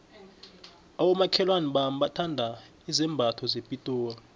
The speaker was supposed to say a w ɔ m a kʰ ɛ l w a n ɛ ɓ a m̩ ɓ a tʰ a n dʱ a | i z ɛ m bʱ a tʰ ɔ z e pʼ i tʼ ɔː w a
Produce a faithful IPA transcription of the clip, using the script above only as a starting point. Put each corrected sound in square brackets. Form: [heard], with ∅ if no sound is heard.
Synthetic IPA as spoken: a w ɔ m a kʰ ɛ l w a n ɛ ɓ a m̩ ɓ a tʰ a n dʱ a | i z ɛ m bʱ a tʰ ɔ z e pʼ i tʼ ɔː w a